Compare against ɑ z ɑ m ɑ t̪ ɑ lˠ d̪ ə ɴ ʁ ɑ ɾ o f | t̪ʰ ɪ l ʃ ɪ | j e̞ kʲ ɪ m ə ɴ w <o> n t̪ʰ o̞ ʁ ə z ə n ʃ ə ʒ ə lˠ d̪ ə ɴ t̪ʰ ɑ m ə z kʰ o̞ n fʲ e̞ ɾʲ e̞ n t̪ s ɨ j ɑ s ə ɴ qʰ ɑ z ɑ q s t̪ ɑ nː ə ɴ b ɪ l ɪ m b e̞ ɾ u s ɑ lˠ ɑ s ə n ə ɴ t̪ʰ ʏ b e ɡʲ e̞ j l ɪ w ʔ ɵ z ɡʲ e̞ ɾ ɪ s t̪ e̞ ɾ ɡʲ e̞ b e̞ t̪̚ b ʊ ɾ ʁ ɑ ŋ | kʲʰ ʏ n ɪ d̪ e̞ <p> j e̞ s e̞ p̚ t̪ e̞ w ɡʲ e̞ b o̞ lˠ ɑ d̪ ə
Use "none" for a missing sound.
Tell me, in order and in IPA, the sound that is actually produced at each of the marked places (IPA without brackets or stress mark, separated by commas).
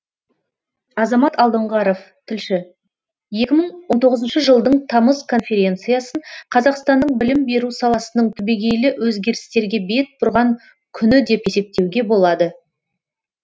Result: o, p